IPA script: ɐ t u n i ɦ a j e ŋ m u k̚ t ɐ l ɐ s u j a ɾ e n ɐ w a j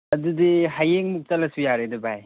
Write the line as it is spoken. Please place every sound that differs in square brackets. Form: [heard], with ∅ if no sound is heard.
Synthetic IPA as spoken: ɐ [d] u [d] i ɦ a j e ŋ m u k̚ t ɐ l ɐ s u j a ɾ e [d] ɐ [b] a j